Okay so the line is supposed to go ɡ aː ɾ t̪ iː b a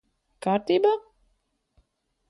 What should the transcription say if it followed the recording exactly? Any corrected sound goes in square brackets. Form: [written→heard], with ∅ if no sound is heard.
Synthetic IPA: [ɡ→k] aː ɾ t̪ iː b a

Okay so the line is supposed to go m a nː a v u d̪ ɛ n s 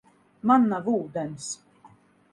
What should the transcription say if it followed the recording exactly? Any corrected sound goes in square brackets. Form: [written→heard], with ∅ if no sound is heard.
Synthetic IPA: m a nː a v [u→uː] d̪ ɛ n s

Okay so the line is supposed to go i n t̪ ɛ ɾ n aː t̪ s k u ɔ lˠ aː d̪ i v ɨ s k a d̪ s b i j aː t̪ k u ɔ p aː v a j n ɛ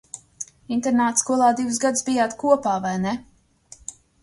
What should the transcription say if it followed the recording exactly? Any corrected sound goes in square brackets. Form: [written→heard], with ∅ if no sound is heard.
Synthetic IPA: i n t̪ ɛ ɾ n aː t̪ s k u ɔ lˠ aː d̪ i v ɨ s [k→ɡ] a d̪ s b i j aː t̪ k u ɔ p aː v a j n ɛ

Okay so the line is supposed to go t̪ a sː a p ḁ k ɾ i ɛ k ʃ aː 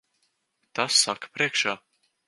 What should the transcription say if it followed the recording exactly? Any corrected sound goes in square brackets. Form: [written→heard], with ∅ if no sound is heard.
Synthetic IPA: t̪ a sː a [p→k] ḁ [k→p] ɾ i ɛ k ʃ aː

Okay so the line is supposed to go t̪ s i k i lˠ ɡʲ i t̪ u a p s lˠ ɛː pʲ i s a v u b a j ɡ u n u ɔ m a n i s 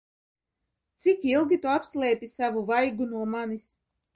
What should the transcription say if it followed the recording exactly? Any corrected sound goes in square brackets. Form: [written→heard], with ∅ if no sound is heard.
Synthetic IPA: t̪ s i k i lˠ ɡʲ i t̪ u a p s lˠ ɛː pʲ i s a v u [b→v] a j ɡ u n u ɔ m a n i s

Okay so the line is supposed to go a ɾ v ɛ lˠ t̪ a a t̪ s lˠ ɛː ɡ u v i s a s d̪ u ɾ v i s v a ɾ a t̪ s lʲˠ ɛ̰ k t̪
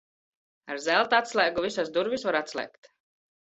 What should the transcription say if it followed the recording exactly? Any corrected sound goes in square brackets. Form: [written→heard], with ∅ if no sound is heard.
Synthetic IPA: a ɾ [v→z] ɛ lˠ t̪ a a t̪ s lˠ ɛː ɡ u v i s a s d̪ u ɾ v i s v a ɾ a t̪ s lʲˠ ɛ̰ k t̪

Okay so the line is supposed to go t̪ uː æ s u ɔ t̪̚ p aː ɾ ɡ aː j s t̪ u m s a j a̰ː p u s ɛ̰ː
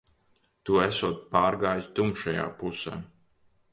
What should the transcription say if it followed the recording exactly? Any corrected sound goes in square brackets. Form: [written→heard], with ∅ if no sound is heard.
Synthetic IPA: t̪ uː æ s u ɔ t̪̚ p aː ɾ ɡ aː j s t̪ u m [s→ʃ] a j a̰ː p u s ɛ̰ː

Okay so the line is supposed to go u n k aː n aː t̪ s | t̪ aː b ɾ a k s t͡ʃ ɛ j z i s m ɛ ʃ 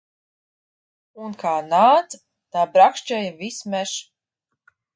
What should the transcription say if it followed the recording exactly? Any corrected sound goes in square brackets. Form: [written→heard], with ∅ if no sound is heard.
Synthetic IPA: u n k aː n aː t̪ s | t̪ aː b ɾ a k [s→ʃ] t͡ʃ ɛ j [z→v] i s m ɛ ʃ

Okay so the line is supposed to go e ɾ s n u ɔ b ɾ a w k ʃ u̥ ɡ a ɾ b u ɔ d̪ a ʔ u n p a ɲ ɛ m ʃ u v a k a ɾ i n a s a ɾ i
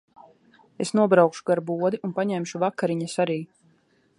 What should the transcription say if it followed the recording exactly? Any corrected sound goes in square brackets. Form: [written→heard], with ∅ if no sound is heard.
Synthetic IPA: e [ɾ→∅] s n u ɔ b ɾ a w k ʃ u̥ ɡ a ɾ b u ɔ d̪ [a→i] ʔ u n p a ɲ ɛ m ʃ u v a k a ɾ i [n→ɲ] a s a ɾ [i→iː]

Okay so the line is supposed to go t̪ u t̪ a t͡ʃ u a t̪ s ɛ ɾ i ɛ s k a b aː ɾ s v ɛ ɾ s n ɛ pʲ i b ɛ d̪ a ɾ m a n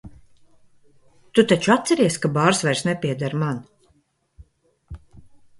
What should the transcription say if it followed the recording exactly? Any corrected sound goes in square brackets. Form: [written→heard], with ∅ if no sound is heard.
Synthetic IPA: t̪ u t̪ a t͡ʃ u a t̪ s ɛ ɾ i ɛ s k a b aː ɾ s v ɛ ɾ s n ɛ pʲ i [b→∅] ɛ d̪ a ɾ m a n

